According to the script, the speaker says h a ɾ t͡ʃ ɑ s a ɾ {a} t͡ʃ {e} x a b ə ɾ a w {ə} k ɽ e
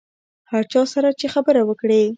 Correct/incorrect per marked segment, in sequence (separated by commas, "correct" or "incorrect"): correct, correct, correct